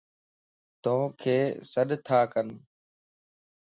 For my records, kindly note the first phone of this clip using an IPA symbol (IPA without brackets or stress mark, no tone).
t̪